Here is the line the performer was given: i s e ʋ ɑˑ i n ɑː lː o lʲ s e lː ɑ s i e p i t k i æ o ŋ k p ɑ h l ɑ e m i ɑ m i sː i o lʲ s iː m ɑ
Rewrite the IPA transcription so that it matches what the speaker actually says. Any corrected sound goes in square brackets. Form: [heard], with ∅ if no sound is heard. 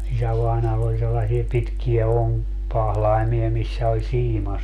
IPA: i s [æ] ʋ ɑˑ i n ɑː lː o lʲ s e lː ɑ s i e p i t k i æ o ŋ k p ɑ h l ɑ [i] m i ɑ m i sː [æ] o lʲ s iː m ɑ